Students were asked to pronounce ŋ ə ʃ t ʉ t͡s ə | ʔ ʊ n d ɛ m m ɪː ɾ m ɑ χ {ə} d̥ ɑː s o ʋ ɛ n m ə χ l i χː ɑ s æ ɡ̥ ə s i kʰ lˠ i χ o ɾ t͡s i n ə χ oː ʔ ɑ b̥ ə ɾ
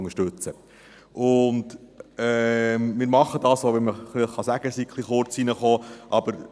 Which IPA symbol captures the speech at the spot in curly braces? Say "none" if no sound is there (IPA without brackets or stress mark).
ə